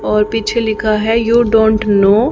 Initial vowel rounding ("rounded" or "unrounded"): rounded